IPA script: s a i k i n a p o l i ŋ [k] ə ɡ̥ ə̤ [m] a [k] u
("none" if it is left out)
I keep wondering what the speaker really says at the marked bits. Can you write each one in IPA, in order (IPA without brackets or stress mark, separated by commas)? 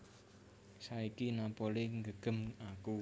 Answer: ɡ, m, k